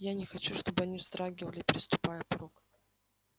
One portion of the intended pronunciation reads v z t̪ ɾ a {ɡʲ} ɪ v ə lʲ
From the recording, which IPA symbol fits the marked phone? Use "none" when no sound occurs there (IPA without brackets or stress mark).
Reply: ɡʲ